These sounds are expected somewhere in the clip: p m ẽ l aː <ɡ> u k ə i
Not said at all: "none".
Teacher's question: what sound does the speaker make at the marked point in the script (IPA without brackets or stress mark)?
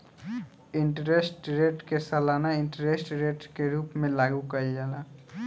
ɡ